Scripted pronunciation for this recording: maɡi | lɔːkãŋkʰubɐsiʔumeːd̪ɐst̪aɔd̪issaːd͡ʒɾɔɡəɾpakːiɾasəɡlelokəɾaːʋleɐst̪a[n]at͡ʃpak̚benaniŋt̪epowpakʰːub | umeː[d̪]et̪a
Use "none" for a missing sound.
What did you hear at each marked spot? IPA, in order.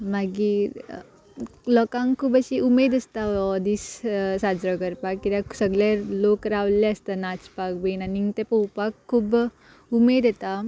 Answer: n, d̪

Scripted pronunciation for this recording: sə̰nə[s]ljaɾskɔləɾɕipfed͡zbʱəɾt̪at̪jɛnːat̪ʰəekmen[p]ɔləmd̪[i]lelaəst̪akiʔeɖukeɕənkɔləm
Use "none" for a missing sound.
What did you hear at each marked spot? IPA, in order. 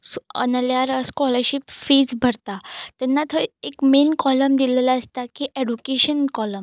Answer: none, k, i

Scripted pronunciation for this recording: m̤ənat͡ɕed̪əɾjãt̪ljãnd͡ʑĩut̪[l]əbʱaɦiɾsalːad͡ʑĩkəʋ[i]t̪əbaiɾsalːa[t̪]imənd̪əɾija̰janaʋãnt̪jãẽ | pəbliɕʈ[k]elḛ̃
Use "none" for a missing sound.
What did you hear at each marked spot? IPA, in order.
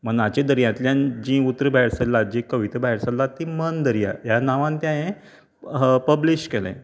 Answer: ɾ, i, t̪, k

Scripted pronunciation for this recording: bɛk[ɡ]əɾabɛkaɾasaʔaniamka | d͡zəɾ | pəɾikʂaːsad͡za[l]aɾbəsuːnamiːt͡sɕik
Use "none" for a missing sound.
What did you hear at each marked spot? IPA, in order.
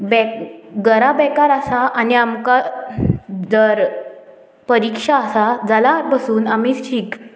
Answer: ɡ, l

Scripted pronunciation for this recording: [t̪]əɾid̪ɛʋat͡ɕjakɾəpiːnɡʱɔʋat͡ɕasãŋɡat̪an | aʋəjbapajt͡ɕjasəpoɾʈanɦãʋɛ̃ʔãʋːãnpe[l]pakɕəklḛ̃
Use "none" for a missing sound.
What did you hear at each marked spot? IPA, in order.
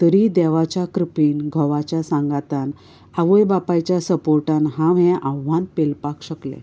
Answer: t̪, l

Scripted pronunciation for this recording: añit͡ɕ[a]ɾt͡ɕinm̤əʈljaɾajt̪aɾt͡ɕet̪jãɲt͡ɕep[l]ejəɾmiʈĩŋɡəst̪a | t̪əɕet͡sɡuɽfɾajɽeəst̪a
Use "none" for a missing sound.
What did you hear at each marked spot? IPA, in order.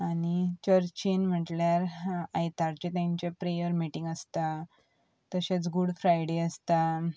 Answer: ə, ɾ

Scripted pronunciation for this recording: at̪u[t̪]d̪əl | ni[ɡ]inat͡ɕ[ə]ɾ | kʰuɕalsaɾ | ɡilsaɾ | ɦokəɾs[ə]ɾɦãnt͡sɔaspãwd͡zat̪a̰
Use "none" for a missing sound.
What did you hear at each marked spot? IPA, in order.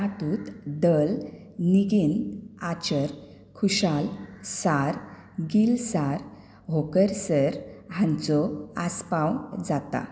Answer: t̪, ɡ, ə, ə

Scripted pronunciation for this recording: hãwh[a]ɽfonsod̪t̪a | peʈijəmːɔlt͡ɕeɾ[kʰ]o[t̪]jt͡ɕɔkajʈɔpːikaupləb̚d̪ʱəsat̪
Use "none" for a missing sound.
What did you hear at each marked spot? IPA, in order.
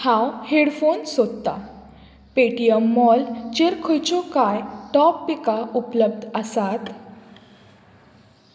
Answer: e, kʰ, none

